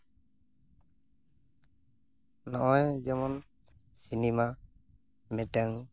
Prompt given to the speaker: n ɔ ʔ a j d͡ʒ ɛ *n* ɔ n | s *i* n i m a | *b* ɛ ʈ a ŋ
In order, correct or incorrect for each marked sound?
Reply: incorrect, correct, incorrect

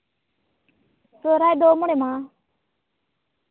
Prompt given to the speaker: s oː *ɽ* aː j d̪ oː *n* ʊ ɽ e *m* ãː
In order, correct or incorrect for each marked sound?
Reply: incorrect, incorrect, correct

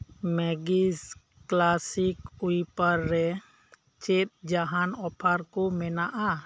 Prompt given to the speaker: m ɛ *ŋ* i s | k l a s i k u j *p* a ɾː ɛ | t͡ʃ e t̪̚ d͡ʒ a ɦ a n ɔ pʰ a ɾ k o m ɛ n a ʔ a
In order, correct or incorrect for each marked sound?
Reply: incorrect, correct

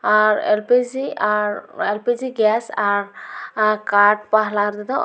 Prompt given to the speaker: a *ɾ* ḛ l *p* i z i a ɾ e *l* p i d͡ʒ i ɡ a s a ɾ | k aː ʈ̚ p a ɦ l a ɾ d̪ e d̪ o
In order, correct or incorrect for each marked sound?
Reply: correct, correct, correct

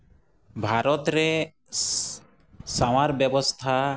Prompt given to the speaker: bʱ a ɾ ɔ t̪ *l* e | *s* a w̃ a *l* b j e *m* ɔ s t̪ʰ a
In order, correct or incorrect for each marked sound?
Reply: incorrect, correct, incorrect, incorrect

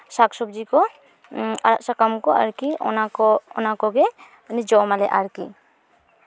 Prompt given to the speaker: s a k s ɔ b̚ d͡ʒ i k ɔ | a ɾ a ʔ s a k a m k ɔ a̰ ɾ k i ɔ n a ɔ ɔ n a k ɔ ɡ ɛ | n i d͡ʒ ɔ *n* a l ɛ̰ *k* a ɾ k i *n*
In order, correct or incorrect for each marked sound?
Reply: incorrect, incorrect, incorrect

